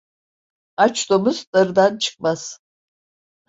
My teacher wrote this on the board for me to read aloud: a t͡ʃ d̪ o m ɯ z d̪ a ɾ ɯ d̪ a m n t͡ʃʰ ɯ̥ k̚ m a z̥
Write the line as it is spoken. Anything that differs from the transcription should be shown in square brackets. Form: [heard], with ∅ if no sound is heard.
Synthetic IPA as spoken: a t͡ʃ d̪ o m [u] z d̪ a ɾ ɯ d̪ a [∅] n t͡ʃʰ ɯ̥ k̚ m a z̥